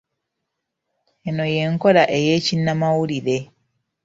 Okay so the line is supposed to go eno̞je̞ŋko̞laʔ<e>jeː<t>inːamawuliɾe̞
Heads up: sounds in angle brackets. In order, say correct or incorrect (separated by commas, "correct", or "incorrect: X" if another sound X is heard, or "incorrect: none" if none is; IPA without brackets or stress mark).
correct, incorrect: c